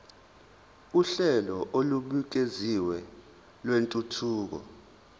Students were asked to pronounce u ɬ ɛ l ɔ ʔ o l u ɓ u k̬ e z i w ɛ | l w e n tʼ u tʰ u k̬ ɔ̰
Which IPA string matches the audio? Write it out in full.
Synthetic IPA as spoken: u ɬ ɛ l ɔ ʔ o l u ɓ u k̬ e z i w ɛ | l w e n tʼ u tʰ uː k̬ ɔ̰